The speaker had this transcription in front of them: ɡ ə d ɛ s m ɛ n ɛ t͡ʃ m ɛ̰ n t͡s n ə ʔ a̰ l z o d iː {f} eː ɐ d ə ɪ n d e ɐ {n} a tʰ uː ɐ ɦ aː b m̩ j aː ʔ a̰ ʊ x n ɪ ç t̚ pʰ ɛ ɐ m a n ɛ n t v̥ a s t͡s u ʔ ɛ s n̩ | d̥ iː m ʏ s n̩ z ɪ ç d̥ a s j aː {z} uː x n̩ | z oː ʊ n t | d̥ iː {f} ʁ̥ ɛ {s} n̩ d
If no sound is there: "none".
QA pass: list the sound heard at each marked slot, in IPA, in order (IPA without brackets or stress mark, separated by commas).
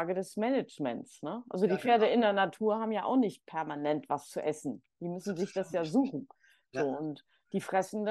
f, n, z, f, s